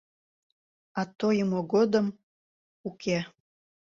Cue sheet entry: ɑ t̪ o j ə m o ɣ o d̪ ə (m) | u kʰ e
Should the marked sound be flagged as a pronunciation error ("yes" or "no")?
no